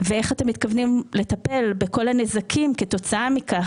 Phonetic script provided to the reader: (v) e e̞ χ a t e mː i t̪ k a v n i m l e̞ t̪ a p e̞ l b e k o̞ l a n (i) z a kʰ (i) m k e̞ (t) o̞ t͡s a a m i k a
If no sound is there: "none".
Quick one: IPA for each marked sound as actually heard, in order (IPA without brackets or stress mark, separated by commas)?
v, e, i, t